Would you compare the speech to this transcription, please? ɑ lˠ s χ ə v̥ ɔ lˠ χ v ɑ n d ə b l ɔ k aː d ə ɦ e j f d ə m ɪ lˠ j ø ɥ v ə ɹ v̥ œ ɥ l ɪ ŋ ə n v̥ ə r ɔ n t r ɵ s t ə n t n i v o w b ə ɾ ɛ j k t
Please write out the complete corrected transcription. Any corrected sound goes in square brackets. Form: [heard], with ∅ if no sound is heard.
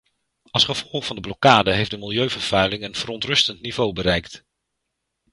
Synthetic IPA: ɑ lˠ s χ ə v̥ ɔ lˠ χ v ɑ n d ə b l ɔ k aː d ə ɦ e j f d ə m ɪ lˠ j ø ɥ v ə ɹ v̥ œ ɥ l ɪ ŋ ə n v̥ ə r ɔ n t r ɵ s t ə n t n i v o w b ə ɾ ɛ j k t

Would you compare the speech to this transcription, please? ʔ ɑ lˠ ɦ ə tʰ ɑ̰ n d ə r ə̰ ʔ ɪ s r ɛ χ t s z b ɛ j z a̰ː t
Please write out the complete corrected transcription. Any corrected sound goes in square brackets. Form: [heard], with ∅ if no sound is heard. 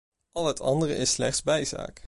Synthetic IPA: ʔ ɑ lˠ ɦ ə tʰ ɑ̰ n d ə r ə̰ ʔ ɪ s [l] ɛ χ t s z b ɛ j z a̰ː [k]

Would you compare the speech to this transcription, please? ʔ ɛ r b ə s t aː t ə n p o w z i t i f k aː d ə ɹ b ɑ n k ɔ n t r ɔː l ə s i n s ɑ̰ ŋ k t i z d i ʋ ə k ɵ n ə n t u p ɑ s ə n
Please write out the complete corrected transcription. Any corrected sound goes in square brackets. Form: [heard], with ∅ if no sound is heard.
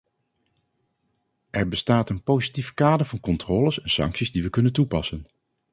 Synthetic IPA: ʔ ɛ [ɹ] b ə s t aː t ə n p o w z i t i f k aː d ə ɹ [v] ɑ n k ɔ n t r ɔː l ə s [ɛ] n s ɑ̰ ŋ k [s] i z d i ʋ ə k ɵ n ə n t u p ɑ s ə n

